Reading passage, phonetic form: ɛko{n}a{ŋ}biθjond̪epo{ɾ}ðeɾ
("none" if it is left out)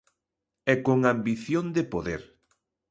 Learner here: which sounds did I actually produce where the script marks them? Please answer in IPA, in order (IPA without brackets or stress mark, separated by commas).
ŋ, m, none